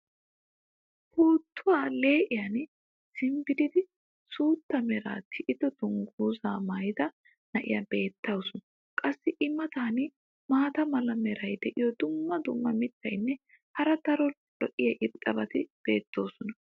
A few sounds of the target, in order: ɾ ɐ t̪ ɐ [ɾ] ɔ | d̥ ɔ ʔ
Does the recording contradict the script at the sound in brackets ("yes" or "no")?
no